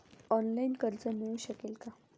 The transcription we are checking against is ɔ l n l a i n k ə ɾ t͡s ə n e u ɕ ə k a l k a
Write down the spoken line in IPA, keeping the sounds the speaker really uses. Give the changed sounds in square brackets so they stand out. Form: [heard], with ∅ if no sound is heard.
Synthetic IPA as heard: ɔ [∅] n l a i n k ə ɾ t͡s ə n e u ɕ ə k [e] l k a